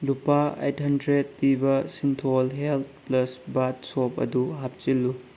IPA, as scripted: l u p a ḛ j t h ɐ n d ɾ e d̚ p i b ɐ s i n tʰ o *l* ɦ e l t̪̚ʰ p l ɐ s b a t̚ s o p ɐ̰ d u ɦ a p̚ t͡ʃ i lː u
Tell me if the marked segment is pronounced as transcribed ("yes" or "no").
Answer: yes